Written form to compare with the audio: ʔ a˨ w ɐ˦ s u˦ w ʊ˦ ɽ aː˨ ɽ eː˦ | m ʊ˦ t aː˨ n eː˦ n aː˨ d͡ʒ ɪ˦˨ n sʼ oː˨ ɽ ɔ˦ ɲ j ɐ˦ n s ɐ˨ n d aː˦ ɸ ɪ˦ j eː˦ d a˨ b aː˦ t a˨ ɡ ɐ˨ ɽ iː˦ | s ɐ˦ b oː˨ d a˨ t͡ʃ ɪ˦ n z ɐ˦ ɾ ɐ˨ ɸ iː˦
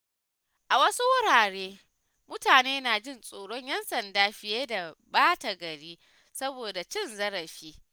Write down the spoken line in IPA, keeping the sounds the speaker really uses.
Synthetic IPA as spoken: ʔ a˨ w ɐ˦ s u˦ w ʊ˦ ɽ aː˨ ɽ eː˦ | m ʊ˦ t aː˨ n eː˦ n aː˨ d͡ʒ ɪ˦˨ n sʼ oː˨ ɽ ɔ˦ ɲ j ɐ˦ n s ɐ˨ n d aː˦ ɸ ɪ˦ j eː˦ d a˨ b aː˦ t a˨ ɡ ɐ˨ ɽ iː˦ | s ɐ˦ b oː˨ d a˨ t͡ʃ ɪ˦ n z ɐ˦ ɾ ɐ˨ ɸ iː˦